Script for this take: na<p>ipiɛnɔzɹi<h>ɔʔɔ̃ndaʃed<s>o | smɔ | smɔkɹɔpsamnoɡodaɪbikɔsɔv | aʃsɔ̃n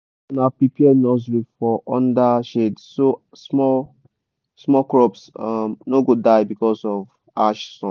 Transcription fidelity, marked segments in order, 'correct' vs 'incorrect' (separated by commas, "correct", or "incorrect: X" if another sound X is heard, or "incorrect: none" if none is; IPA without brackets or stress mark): correct, incorrect: f, correct